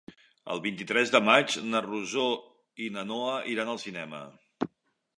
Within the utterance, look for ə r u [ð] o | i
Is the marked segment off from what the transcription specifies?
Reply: yes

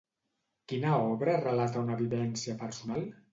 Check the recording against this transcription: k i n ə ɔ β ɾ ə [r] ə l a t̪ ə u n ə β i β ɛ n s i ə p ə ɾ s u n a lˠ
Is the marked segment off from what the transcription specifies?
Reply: no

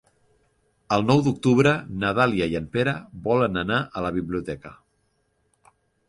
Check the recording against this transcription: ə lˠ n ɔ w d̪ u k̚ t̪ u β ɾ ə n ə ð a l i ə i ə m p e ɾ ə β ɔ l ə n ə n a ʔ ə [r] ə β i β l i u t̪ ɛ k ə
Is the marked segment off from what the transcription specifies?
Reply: yes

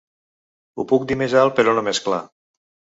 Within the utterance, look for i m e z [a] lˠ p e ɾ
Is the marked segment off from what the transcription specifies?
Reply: no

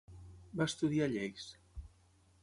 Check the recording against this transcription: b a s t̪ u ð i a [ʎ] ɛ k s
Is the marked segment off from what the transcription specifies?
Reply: no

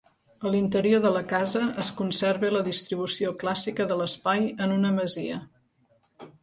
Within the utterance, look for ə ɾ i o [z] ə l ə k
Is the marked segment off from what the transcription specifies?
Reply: yes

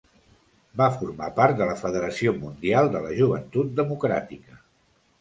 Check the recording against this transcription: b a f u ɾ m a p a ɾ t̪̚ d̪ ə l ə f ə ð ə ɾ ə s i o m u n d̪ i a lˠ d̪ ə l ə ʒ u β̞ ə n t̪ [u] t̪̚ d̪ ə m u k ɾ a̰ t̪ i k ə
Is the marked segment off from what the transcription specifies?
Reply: no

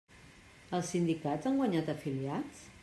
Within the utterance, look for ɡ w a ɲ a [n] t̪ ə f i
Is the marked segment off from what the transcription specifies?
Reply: yes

